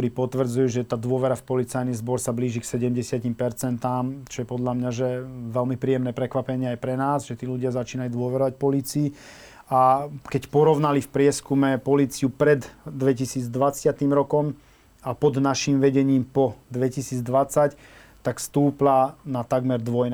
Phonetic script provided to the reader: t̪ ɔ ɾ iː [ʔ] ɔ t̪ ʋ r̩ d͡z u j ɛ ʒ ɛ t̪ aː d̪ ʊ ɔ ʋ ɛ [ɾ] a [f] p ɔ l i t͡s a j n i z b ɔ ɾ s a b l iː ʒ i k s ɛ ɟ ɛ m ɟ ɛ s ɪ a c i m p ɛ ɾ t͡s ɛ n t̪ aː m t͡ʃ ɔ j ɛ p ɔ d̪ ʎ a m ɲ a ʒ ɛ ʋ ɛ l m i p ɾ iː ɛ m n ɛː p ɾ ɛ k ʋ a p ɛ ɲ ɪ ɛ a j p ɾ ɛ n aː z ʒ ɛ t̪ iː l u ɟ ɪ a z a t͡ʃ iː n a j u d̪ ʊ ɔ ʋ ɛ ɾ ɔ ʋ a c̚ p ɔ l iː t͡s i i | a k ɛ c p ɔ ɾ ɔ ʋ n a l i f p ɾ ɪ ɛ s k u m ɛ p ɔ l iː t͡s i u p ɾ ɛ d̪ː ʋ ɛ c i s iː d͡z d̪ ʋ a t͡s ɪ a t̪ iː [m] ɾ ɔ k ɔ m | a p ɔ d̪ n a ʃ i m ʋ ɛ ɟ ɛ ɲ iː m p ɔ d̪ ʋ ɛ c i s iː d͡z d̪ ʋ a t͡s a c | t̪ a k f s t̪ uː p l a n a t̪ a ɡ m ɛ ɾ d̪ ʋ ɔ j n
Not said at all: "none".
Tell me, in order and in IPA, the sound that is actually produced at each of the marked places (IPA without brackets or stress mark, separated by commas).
p, ɾ, f, m